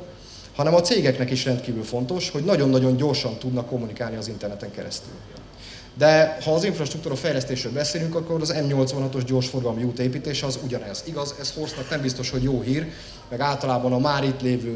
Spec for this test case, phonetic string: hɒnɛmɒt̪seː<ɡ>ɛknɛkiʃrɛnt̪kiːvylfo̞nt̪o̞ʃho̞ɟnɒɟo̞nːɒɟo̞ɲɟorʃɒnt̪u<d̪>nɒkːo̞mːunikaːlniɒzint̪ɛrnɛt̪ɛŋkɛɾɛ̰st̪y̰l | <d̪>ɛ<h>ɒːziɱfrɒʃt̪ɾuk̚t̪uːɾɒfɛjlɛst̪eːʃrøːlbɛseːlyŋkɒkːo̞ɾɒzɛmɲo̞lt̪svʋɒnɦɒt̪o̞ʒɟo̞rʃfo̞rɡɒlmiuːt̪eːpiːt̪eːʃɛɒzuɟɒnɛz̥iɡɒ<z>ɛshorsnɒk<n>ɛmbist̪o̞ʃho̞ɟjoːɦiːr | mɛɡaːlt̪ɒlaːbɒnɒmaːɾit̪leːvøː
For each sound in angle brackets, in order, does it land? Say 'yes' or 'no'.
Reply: yes, yes, yes, yes, yes, yes

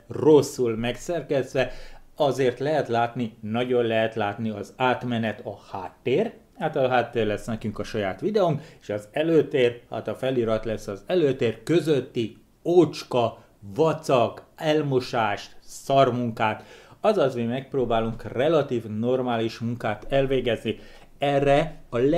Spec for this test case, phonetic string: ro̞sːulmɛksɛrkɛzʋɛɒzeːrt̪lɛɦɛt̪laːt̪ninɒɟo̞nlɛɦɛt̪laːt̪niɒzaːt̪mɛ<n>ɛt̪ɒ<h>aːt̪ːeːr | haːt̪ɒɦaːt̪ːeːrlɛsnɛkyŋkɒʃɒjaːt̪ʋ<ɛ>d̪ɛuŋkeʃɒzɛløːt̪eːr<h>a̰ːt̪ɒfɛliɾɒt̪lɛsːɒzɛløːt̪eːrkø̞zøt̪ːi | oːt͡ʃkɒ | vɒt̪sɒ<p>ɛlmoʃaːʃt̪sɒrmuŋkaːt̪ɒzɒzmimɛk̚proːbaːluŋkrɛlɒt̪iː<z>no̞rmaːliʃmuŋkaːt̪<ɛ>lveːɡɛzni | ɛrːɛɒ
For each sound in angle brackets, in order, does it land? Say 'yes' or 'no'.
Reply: yes, yes, no, yes, no, no, yes

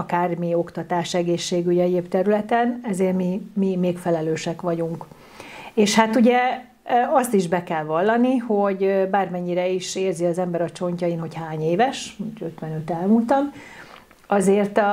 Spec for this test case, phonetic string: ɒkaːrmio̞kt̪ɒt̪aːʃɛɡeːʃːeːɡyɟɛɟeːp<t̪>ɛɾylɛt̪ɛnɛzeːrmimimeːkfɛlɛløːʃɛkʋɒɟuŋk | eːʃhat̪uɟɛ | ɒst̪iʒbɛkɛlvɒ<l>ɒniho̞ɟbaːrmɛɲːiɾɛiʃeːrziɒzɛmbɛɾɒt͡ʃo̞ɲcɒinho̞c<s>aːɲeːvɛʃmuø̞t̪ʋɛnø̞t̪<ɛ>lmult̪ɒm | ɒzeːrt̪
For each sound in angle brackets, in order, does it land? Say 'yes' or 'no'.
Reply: yes, no, no, yes

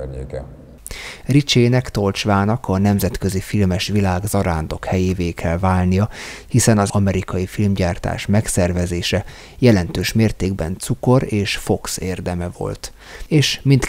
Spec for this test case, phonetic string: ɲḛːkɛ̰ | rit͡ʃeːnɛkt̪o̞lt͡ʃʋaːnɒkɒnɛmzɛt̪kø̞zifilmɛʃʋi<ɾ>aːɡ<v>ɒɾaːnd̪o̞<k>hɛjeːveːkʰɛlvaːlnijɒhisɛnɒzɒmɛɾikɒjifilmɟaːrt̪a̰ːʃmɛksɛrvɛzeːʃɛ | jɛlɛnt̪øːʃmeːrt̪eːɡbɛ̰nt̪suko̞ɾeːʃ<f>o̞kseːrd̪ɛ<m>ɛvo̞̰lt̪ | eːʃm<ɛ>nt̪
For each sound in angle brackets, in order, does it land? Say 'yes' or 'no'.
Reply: no, no, yes, yes, yes, no

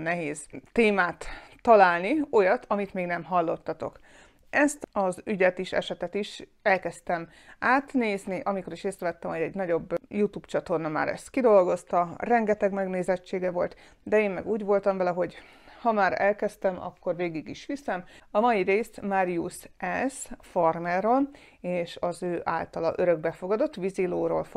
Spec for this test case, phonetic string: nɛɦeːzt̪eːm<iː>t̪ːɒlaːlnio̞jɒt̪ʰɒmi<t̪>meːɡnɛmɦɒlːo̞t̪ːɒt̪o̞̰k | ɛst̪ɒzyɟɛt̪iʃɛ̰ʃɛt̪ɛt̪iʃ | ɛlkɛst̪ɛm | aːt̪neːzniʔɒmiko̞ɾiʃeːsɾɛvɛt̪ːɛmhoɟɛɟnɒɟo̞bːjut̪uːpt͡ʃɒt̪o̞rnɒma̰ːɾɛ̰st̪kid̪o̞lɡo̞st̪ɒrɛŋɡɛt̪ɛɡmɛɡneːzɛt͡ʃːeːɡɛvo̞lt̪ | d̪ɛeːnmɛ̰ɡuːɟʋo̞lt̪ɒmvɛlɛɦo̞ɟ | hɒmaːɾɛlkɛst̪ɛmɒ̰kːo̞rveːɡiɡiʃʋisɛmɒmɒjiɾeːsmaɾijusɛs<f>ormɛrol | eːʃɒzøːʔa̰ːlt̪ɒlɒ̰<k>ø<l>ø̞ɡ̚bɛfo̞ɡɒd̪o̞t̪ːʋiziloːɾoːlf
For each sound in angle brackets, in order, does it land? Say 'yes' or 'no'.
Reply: no, yes, yes, no, no

